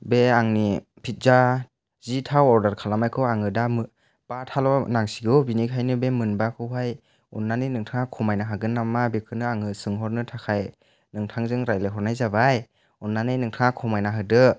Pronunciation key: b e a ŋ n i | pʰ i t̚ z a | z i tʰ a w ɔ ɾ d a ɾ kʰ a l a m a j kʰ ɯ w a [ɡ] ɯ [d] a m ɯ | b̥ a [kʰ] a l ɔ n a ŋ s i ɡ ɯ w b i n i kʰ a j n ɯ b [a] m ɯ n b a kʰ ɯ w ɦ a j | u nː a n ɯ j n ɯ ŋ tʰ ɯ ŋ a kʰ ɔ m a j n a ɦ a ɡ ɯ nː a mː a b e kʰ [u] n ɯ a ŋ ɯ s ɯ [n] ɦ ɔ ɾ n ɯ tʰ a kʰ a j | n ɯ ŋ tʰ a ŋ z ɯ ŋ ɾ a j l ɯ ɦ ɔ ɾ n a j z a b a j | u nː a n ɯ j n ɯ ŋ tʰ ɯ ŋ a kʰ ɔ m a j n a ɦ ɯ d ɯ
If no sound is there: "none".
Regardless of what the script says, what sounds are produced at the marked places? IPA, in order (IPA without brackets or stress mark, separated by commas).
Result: ŋ, d, tʰ, e, ɯ, ŋ